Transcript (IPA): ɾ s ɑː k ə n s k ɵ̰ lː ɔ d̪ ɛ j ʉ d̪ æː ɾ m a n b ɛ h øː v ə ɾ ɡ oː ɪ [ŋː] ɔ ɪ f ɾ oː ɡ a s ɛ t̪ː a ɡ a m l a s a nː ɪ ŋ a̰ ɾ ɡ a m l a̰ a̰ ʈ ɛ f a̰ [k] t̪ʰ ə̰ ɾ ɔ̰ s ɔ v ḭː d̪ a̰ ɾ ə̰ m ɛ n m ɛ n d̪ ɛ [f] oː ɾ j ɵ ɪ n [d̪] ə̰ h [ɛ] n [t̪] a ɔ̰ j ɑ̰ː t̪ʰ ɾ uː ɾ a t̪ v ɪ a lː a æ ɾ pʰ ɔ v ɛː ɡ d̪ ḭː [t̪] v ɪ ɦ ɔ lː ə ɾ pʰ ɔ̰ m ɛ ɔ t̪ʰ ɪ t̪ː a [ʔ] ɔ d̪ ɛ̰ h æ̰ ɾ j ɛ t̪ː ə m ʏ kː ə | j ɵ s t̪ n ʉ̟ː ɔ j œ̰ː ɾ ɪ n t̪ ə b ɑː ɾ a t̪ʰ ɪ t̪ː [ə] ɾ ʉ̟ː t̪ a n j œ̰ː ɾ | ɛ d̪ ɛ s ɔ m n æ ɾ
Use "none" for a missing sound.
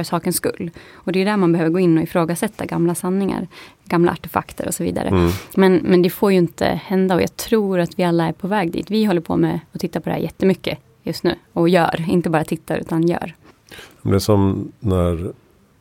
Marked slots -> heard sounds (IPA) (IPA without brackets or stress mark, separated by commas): nː, k, f, t̪, ɛ, d̪, t̪, p, a